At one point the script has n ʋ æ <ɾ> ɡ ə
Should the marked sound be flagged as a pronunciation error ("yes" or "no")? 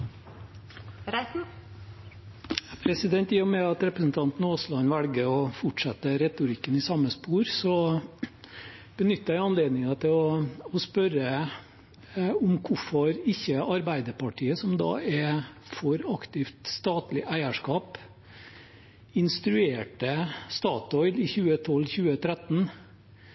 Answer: yes